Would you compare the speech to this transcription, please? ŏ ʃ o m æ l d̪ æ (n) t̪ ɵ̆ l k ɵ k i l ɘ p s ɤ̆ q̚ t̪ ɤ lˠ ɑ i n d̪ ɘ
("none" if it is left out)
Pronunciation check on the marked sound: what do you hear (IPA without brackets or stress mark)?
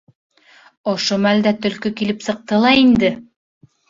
none